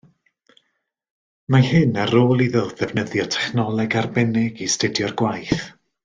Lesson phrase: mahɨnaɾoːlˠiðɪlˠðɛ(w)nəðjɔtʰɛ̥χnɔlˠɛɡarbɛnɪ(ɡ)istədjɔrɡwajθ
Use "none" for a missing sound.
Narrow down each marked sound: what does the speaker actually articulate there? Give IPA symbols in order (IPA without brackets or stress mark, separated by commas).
v, ɡ